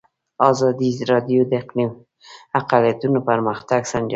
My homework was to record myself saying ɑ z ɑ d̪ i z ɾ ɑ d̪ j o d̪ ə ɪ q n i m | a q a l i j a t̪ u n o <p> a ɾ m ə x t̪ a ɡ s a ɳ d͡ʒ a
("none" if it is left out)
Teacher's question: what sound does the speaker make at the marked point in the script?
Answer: p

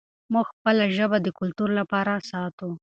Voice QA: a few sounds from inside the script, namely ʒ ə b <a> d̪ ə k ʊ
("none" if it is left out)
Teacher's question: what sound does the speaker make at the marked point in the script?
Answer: a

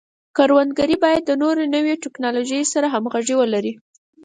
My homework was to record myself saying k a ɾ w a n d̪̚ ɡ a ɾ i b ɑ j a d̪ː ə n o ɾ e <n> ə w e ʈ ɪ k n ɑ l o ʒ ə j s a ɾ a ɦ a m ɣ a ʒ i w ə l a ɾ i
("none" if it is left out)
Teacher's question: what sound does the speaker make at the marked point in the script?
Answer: n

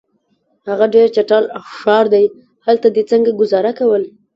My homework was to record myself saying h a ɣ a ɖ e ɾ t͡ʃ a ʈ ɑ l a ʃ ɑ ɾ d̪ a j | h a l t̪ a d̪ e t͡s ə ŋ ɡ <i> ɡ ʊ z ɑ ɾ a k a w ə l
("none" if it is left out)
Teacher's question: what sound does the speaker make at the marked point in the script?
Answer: a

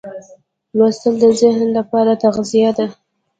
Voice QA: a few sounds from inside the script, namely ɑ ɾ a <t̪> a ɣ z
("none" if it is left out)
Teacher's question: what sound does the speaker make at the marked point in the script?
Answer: t̪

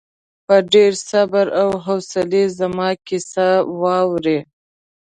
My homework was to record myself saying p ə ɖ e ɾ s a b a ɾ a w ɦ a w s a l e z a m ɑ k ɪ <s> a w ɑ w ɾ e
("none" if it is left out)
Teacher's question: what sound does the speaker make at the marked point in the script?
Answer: s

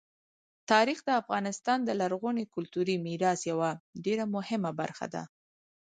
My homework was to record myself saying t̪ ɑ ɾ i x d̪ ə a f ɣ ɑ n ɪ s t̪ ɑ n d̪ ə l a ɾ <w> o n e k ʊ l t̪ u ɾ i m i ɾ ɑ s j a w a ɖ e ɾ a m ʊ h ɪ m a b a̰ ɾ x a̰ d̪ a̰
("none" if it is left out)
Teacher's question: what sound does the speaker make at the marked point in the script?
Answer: ɣ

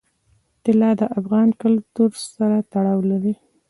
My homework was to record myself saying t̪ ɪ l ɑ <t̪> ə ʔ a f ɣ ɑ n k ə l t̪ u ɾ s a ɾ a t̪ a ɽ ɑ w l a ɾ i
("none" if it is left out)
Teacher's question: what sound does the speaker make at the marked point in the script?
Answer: d̪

